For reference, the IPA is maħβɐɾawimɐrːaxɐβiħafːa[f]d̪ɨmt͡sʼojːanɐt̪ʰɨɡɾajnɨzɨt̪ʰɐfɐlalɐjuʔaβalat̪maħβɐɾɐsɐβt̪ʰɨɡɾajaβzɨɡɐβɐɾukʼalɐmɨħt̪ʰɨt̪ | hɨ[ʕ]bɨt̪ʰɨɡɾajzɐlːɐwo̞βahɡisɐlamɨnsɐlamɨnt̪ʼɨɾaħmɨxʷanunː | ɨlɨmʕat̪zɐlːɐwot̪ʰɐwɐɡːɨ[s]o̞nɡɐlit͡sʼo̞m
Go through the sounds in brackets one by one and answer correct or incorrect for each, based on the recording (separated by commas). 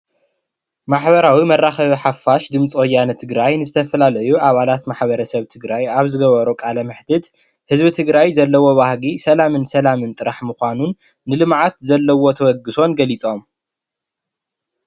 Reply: incorrect, incorrect, correct